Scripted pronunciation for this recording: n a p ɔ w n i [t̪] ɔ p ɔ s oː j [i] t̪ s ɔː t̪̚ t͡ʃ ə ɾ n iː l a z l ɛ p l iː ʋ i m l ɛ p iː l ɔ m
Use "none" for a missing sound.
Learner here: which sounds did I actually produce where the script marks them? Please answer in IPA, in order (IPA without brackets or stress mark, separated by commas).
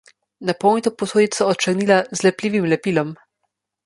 t̪, i